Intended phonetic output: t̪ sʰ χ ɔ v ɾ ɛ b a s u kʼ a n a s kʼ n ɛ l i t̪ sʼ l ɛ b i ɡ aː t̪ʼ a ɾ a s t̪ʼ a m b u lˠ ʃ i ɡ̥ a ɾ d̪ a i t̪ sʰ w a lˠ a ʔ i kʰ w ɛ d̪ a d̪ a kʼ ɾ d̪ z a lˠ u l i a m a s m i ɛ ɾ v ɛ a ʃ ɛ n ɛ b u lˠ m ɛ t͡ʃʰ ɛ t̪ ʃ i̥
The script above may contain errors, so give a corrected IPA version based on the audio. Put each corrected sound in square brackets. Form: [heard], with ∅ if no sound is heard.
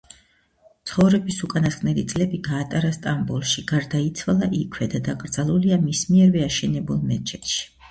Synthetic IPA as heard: t̪ sʰ χ ɔ v ɾ ɛ b [i] s u kʼ a n a s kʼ n ɛ l i t̪ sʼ l ɛ b i ɡ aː t̪ʼ a ɾ a s t̪ʼ a m b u lˠ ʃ i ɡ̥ a ɾ d̪ a i t̪ sʰ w a lˠ a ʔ i kʰ w ɛ d̪ a d̪ a kʼ ɾ d̪ z a lˠ u l i a m [i] s m i ɛ ɾ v ɛ a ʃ ɛ n ɛ b u lˠ m ɛ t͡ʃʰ ɛ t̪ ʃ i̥